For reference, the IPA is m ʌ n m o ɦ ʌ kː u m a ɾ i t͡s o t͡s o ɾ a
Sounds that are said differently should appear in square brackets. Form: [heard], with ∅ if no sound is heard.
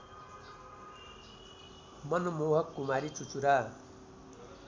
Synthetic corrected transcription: m ʌ n m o ɦ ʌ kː u m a ɾ i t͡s [u] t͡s [u] ɾ a